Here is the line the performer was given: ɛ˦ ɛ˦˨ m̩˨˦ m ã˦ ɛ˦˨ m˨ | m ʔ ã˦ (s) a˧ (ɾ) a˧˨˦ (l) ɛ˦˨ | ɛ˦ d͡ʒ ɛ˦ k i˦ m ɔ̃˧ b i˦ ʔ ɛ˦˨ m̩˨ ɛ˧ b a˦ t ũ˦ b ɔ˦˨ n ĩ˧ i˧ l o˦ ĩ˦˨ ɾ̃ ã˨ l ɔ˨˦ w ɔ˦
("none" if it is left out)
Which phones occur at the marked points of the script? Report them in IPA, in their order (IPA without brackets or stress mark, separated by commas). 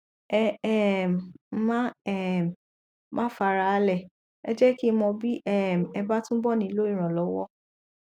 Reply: f, ɾ, l